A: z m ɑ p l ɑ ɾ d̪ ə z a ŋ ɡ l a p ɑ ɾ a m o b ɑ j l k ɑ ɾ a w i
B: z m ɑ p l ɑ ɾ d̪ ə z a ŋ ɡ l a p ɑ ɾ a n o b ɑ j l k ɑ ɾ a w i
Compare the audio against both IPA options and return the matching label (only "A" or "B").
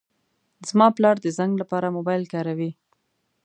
A